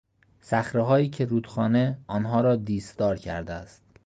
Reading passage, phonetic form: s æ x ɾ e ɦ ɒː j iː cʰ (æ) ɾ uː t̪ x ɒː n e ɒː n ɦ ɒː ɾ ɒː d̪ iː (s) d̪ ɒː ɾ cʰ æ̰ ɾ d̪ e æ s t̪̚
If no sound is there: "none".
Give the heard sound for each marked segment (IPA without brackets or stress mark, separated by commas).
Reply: e, s